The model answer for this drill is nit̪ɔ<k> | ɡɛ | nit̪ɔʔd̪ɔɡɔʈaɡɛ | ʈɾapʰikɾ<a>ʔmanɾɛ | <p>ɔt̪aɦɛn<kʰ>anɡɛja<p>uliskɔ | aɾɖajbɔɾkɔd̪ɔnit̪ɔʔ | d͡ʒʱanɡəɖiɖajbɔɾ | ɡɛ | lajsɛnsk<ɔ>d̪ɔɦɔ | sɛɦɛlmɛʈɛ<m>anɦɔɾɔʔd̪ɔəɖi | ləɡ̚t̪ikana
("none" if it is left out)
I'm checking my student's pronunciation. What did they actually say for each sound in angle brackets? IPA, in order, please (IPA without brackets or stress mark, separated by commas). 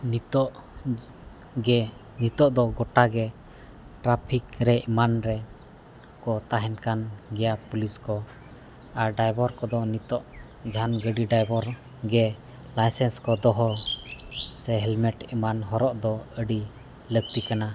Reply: ʔ, ɛ, k, k, p, ɔ, m